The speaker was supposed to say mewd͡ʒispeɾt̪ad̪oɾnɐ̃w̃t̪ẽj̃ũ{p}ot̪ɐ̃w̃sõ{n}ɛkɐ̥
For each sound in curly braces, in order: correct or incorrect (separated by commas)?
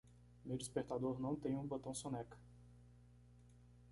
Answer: incorrect, correct